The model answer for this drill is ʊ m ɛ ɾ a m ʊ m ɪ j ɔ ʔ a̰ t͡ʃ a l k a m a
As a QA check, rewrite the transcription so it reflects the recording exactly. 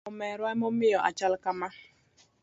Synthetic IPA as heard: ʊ m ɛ ɾ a m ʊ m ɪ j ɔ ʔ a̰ t͡ʃ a l k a m a